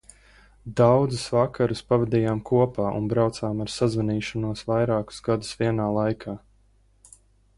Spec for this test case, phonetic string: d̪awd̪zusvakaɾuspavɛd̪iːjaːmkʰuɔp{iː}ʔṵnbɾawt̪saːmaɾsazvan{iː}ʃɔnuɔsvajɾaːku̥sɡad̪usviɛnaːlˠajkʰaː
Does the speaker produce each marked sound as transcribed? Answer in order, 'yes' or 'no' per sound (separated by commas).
no, yes